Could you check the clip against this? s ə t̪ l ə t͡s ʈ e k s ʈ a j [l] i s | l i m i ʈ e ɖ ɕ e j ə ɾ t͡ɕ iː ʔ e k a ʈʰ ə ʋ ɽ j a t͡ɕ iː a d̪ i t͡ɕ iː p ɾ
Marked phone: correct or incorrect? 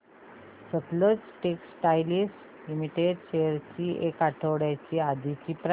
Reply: correct